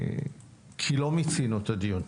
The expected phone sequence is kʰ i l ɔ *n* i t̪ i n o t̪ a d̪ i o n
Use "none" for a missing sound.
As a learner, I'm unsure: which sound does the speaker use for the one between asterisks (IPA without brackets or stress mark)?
m